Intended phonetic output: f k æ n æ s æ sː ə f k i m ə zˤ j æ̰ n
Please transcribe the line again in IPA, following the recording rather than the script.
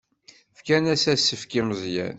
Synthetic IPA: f k æ n æ s æ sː ə f k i m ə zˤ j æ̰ n